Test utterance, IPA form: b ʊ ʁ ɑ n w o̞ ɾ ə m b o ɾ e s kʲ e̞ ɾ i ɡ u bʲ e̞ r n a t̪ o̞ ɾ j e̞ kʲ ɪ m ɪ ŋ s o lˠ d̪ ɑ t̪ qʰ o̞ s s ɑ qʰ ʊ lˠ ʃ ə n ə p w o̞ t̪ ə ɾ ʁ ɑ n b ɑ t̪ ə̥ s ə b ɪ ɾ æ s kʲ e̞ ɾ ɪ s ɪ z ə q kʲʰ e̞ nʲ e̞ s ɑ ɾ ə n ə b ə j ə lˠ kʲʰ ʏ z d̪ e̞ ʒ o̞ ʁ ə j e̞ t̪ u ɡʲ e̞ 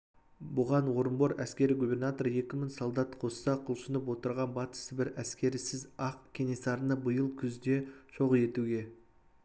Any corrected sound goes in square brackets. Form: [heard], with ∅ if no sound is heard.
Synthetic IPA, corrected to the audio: b ʊ ʁ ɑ n w o̞ ɾ ə m b o ɾ [æ] s kʲ e̞ ɾ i ɡ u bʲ e̞ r n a t̪ o̞ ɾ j e̞ kʲ ɪ m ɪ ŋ s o lˠ d̪ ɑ t̪ qʰ o̞ s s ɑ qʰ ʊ lˠ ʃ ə n ə p w o̞ t̪ ə ɾ ʁ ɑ n b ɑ t̪ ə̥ s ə b ɪ ɾ æ s kʲ e̞ ɾ ɪ s ɪ z [ɑ] q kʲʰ e̞ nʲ e̞ s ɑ ɾ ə n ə b ə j ə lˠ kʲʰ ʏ z d̪ e̞ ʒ o̞ ʁ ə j e̞ t̪ u ɡʲ e̞